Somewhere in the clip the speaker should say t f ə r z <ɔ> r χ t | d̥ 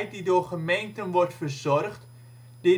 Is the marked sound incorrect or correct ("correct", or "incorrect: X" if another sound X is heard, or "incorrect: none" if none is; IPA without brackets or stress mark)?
correct